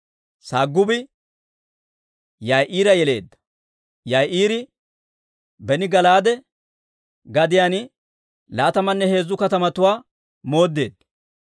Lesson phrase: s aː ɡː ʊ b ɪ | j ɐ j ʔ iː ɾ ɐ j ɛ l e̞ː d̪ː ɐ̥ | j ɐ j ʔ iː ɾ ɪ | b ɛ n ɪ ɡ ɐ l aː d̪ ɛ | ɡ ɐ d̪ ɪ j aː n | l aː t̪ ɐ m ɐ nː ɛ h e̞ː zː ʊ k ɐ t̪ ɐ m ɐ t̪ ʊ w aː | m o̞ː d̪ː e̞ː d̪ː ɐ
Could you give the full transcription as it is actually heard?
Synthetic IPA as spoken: s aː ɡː ʊ b ɪ | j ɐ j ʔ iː ɾ ɐ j ɛ l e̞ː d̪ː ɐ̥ | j ɐ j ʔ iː ɾ ɪ | b ɛ n ɪ ɡ ɐ l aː d̪ ɛ | ɡ ɐ d̪ ɪ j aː n | l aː t̪ ɐ m ɐ nː ɛ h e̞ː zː ʊ k ɐ t̪ ɐ m ɐ t̪ ʊ w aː | m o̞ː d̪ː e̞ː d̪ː ɐ